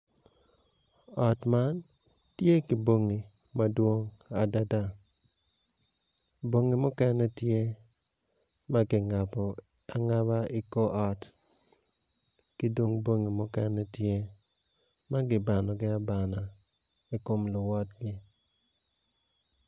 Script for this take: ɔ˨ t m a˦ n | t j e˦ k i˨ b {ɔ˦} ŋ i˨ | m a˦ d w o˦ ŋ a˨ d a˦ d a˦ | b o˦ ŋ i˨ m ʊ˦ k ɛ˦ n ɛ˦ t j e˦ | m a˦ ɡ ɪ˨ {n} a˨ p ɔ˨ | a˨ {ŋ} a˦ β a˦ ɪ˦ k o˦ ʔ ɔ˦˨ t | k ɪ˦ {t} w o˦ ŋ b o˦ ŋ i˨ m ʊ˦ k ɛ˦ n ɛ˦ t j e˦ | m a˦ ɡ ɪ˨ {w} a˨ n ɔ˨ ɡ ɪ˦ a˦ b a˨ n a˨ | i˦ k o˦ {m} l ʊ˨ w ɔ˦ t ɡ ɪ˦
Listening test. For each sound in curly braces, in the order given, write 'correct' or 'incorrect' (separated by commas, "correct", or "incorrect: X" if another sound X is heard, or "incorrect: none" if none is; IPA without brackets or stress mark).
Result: incorrect: o˦, incorrect: ŋ, correct, incorrect: d, incorrect: b, correct